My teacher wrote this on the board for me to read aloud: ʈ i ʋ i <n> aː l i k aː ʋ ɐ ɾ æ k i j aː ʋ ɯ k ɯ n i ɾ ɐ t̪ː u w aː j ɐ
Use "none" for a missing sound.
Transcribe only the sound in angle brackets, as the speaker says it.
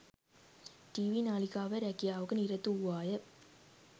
n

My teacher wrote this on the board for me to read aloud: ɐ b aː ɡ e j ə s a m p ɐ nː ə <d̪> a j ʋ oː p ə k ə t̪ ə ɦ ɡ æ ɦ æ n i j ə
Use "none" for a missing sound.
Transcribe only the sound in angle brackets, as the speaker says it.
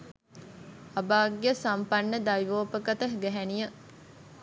d̪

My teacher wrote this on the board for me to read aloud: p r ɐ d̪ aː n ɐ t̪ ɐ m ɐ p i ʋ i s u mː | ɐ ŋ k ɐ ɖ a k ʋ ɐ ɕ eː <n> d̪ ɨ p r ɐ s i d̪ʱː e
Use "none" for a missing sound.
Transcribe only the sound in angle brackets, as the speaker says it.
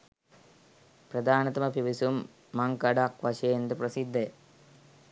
n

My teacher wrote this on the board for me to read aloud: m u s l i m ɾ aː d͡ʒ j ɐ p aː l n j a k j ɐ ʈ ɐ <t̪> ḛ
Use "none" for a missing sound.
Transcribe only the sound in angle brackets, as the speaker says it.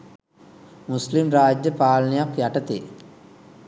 t̪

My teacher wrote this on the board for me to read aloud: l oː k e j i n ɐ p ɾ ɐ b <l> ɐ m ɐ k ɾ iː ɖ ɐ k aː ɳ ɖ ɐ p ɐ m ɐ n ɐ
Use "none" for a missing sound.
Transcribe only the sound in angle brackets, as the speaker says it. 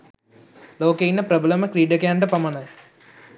l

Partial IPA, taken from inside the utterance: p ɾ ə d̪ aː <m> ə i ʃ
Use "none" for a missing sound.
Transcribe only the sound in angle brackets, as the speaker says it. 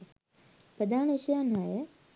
n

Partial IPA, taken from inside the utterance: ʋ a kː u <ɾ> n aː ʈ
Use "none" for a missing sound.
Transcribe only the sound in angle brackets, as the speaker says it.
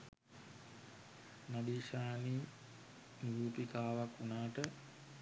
none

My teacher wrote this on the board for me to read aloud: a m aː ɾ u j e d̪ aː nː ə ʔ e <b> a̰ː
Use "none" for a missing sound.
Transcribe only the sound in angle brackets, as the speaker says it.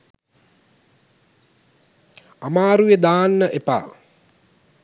p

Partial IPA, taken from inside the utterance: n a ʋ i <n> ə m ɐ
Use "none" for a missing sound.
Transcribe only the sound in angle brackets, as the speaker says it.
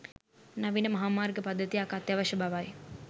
n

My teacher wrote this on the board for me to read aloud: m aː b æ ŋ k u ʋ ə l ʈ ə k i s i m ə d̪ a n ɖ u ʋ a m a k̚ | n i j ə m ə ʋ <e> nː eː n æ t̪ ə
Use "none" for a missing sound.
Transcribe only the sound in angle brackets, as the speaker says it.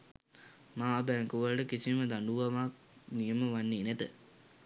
a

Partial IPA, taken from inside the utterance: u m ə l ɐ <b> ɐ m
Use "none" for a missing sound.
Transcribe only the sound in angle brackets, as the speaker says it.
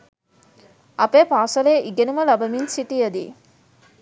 b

